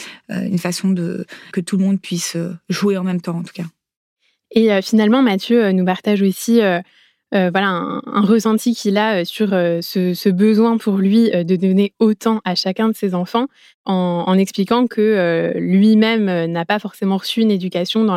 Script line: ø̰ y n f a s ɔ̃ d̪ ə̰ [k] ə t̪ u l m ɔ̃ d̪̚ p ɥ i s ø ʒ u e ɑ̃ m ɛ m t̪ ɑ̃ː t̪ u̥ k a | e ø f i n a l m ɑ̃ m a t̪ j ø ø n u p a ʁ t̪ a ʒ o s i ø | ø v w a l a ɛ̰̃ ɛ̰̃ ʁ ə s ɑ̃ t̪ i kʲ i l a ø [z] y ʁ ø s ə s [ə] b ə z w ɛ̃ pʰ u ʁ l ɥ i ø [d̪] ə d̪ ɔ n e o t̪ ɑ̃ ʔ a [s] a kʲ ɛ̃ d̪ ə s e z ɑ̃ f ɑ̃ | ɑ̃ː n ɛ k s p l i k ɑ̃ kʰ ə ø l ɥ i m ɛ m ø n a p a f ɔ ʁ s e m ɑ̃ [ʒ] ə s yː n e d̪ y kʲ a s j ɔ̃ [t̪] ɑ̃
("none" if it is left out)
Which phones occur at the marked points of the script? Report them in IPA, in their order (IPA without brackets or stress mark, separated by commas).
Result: k, s, ə, d̪, ʃ, ʁ, d̪